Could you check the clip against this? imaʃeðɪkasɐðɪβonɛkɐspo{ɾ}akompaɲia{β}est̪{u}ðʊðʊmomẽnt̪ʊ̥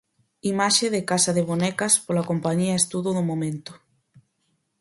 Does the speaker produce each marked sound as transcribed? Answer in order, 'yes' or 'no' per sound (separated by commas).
no, no, yes